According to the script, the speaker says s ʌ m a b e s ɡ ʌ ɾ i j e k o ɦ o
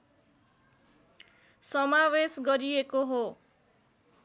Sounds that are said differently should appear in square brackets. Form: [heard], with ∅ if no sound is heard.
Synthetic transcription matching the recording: s ʌ m a [w] e s ɡ ʌ ɾ i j e k o ɦ o